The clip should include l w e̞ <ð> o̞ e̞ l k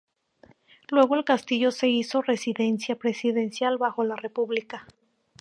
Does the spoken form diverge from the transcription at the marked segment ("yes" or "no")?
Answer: yes